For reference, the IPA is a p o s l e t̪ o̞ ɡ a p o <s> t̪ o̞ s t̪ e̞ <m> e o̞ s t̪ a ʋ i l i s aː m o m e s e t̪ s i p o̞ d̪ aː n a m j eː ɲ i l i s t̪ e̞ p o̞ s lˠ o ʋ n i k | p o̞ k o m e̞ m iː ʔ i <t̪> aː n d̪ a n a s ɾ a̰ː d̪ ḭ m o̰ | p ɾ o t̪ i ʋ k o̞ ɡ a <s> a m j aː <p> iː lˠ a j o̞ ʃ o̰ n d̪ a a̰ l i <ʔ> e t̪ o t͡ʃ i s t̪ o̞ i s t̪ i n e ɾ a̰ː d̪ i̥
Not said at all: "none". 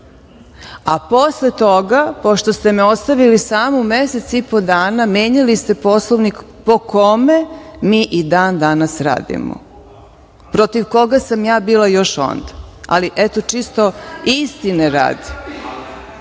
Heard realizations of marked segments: ʃ, m, d̪, s, b, ʔ

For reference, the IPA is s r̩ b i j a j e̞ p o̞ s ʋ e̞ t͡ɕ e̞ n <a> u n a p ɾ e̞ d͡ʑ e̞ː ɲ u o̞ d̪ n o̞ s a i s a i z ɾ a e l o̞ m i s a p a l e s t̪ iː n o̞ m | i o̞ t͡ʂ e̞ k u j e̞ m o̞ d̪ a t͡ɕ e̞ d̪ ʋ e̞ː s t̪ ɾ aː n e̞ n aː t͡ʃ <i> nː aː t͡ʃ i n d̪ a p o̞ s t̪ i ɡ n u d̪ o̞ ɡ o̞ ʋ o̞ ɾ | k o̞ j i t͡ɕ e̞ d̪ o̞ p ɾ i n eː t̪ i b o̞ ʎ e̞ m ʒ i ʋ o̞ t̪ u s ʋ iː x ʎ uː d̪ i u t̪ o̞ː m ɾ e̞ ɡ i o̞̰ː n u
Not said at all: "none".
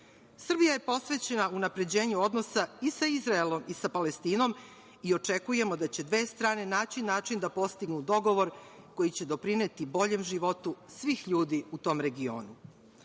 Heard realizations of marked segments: a, i

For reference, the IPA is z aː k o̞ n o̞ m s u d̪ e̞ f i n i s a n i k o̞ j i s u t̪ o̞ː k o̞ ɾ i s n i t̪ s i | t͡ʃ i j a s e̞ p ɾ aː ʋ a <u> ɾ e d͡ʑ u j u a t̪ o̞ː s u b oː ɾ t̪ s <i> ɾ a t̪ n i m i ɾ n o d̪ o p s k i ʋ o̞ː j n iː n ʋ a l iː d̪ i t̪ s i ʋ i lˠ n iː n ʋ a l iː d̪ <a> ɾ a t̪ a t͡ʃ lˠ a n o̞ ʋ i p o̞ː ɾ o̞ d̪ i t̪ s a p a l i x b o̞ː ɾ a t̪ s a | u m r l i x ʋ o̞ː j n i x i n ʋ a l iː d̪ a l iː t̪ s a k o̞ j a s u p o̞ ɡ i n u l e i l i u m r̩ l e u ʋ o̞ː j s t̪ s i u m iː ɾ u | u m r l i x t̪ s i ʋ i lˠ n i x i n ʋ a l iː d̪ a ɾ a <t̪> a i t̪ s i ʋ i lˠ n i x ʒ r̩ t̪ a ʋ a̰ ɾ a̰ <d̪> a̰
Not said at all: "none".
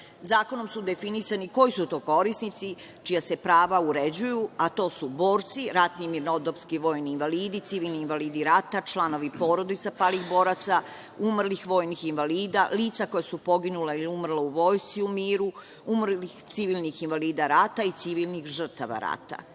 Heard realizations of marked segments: u, i, i, t̪, t̪

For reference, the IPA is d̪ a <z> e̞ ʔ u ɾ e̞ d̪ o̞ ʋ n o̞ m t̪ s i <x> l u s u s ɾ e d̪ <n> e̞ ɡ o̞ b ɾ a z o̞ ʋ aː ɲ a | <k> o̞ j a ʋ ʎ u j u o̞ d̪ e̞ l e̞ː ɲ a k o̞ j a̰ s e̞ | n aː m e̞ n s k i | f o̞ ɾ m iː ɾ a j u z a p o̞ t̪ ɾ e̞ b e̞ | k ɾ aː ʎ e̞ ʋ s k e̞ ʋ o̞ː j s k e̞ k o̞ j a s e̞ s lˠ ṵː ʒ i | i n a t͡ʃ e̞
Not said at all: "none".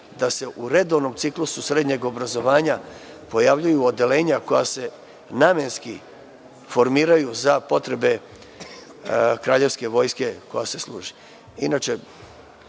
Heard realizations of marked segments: s, k, ɲ, p

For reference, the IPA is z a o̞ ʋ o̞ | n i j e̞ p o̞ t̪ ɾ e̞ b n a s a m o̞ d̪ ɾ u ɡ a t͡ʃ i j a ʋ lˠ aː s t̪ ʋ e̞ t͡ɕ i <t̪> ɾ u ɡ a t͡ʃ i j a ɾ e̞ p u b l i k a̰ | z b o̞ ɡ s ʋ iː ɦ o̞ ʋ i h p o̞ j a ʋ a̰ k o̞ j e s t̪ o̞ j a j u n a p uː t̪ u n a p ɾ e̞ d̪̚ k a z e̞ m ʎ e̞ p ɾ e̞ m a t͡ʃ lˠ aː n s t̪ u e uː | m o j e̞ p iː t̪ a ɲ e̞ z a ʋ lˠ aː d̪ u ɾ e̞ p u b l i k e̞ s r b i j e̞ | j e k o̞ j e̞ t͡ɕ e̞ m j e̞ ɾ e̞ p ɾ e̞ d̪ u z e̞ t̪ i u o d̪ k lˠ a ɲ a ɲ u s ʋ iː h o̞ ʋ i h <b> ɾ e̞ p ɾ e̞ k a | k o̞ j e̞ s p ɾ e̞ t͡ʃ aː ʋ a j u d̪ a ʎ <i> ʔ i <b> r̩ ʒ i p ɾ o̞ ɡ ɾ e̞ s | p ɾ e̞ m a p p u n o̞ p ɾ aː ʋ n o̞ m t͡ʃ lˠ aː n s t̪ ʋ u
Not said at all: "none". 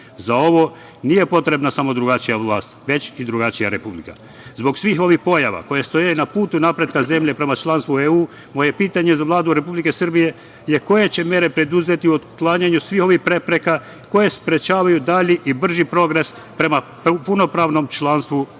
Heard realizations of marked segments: d̪, p, i, b

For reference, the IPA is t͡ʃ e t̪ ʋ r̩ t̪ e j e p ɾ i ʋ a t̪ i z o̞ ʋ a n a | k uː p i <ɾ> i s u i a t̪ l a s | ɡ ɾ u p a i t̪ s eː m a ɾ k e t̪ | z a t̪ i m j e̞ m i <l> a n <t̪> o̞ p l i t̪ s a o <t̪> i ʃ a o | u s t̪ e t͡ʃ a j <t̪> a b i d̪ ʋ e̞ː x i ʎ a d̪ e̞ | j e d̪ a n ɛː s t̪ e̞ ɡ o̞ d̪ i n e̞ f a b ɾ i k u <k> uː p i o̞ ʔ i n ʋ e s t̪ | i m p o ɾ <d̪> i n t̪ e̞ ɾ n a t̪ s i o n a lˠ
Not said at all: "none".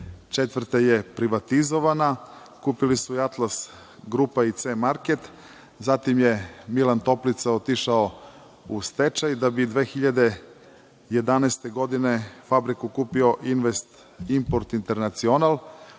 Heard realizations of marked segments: l, l, t̪, t̪, d̪, k, t̪

